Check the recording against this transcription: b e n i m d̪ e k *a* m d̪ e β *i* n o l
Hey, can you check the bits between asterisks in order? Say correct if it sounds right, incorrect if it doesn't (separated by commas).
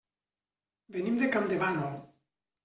correct, incorrect